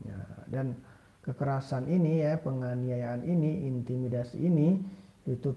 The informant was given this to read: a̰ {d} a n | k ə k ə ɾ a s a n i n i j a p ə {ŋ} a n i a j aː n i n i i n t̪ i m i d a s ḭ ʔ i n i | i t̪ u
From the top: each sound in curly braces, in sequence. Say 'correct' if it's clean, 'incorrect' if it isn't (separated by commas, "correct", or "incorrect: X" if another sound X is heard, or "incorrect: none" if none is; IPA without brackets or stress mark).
correct, correct